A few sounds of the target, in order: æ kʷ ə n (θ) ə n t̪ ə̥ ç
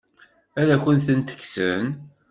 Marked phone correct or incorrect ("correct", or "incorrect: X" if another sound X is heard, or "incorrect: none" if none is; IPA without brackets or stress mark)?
correct